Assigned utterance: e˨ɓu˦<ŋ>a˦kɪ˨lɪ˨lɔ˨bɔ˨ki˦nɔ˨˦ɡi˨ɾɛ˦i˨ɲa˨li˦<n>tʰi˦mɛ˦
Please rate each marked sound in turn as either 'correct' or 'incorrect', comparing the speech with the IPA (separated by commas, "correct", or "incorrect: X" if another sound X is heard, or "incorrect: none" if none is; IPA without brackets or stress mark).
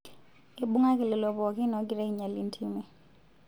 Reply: correct, correct